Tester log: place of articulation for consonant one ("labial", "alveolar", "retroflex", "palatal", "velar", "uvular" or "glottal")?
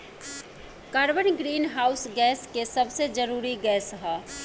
velar